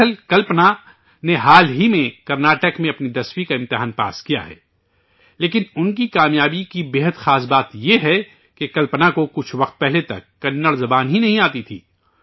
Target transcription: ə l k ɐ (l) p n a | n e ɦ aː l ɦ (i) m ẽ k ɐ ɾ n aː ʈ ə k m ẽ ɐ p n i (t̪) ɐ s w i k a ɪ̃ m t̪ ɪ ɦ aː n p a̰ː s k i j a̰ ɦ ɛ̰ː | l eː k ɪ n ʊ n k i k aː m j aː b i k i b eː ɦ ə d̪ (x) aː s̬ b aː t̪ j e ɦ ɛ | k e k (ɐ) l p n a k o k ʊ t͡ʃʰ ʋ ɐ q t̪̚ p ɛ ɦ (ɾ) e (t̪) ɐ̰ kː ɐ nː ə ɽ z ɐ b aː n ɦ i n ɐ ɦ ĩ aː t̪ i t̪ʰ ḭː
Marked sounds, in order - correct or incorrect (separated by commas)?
correct, correct, incorrect, correct, correct, incorrect, correct